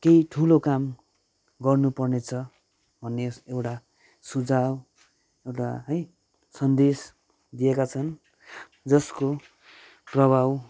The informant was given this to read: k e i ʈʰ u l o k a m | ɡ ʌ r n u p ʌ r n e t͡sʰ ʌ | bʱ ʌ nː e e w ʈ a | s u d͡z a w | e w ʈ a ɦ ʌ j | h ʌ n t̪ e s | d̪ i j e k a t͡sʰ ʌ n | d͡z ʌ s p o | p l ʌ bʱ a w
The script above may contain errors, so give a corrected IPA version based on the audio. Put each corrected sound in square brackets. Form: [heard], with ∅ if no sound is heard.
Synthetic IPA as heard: k e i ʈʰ u l o k a m | ɡ ʌ r n u p ʌ r n e t͡sʰ ʌ | bʱ ʌ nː e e w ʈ a | s u d͡z a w | e w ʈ a ɦ ʌ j | [s] ʌ n [d̪] e s | d̪ i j e k a t͡sʰ ʌ n | d͡z ʌ s [k] o | p [r] ʌ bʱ a w